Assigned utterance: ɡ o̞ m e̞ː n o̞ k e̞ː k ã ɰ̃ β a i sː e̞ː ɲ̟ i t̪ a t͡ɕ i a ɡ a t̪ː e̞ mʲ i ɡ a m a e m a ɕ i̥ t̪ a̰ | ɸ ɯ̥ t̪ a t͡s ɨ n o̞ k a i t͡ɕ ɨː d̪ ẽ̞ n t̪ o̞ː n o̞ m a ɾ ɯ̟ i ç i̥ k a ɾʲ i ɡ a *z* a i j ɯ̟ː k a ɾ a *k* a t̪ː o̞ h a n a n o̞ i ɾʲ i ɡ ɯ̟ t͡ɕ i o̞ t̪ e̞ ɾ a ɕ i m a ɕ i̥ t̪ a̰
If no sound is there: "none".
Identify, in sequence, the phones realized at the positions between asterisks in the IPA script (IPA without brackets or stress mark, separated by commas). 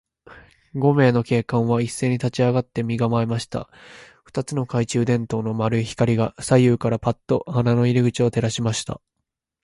s, p